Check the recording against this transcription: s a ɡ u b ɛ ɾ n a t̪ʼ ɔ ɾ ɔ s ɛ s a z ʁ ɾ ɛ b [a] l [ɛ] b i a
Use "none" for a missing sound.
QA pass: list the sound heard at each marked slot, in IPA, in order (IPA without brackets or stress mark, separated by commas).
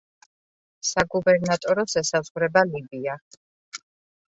a, i